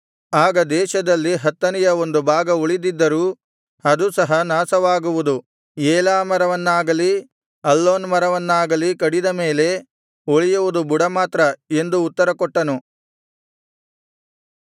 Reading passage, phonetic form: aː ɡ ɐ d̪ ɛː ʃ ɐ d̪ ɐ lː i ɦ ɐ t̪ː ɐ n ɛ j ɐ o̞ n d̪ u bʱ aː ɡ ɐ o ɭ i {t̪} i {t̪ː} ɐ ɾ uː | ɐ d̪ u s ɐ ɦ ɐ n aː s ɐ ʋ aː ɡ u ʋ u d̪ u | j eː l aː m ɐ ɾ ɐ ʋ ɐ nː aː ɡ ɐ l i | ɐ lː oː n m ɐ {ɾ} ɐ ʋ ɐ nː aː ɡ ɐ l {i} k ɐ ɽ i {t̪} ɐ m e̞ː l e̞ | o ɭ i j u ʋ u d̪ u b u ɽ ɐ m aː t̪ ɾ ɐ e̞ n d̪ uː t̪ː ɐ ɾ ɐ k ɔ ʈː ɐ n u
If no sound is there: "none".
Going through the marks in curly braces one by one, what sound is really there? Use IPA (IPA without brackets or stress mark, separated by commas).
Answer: d̪, d̪ː, ɾ, i, d̪